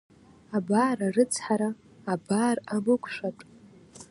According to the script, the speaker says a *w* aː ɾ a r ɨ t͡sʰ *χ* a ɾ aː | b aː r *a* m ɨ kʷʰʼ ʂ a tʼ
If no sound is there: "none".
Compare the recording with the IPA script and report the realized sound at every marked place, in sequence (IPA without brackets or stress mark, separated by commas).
b, ħ, a